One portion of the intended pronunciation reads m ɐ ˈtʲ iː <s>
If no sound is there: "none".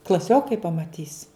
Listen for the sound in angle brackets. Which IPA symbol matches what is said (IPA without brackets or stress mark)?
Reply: s